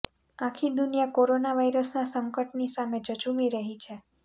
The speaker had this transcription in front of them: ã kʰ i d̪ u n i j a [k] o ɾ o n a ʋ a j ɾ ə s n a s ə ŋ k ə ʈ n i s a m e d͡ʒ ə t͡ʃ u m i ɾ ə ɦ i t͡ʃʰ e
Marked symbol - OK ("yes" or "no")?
yes